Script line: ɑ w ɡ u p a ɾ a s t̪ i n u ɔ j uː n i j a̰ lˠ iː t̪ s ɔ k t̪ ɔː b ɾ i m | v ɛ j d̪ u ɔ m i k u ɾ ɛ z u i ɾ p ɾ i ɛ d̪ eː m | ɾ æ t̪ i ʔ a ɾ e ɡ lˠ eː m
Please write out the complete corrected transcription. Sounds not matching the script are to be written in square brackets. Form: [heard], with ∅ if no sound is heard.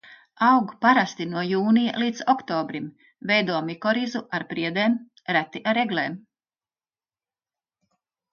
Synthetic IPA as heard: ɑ w ɡ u p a ɾ a s t̪ i n u ɔ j uː n i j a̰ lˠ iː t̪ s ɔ k t̪ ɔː b ɾ i m | v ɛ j d̪ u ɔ m i k [ɔ] ɾ [i] z u [a] ɾ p ɾ i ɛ d̪ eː m | ɾ æ t̪ i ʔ a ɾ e ɡ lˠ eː m